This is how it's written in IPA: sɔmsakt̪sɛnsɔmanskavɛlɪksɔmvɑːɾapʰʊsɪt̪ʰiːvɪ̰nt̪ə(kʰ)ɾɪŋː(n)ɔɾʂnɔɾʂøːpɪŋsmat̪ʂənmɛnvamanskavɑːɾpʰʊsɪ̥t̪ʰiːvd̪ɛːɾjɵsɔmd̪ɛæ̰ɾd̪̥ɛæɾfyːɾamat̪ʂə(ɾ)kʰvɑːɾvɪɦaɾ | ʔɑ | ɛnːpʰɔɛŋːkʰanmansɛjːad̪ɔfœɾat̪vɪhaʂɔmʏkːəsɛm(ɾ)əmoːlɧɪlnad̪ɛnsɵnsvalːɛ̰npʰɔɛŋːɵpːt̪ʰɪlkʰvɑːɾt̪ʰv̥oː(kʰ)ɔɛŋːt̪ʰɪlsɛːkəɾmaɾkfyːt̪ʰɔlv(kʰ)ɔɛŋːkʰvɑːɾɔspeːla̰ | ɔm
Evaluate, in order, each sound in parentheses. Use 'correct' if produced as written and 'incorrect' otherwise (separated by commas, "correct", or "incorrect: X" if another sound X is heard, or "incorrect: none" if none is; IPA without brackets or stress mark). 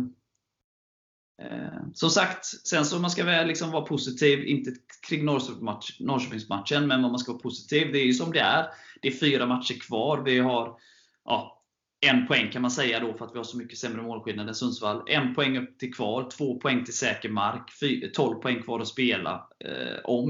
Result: correct, correct, correct, correct, incorrect: pʰ, incorrect: pʰ